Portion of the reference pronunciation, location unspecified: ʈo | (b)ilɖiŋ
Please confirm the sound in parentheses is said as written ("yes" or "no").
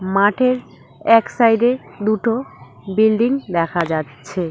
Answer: yes